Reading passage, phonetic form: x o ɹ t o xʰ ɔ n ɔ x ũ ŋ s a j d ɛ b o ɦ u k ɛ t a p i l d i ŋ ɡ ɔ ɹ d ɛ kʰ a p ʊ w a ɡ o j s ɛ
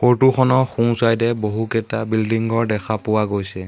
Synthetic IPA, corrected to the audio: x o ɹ t u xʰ ɔ n ɔ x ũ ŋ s a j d ɛ b o ɦ u k ɛ t a b i l d i ŋ ɡ ɔ ɹ d ɛ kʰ a p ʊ w a ɡ o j s ɛ